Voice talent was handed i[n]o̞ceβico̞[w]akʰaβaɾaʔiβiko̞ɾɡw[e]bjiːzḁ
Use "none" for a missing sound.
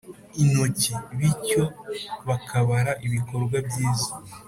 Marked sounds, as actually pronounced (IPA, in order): n, β, a

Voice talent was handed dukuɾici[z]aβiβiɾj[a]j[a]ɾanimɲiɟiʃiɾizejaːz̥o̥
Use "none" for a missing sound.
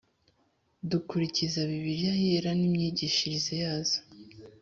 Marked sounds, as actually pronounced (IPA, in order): z, a, e

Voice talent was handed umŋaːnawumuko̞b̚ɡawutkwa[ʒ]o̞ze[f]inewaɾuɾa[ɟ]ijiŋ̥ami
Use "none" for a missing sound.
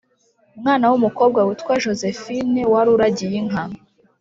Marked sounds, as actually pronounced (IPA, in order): ʒ, f, ɟ

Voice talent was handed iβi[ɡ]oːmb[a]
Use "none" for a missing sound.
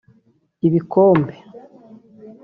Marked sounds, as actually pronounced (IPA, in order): k, e

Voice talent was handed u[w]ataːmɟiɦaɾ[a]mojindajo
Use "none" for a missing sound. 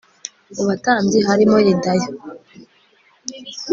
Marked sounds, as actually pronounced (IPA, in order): β, i

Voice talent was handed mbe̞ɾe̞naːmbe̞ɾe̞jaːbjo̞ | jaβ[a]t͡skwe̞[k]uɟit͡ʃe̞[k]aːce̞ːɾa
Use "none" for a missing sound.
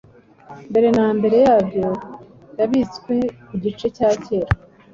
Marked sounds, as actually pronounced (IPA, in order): i, k, c

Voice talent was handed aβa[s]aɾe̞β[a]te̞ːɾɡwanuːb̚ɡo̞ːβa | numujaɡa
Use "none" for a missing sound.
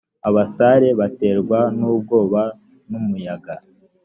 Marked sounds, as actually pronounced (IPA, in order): s, a

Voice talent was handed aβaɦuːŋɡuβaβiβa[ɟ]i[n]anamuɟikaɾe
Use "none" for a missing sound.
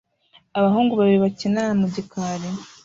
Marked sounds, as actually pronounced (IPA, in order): c, n

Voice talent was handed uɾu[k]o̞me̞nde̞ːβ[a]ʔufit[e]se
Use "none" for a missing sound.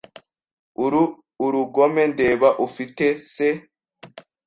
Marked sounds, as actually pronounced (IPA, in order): ɡ, a, e

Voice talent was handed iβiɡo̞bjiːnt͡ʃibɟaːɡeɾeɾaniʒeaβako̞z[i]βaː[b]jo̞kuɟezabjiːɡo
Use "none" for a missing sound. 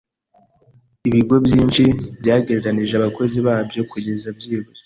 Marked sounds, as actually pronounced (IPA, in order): i, b

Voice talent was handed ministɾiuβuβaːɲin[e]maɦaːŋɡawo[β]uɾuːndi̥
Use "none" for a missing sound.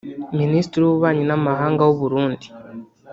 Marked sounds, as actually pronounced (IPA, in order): a, β

